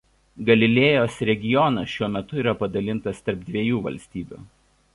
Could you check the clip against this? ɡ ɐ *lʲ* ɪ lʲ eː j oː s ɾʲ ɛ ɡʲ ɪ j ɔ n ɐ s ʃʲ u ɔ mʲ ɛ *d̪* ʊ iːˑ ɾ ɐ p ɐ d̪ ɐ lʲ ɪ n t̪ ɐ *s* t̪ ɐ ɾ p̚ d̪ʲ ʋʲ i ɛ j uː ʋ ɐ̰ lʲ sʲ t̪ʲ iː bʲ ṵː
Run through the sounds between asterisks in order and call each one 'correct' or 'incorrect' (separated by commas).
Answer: correct, incorrect, correct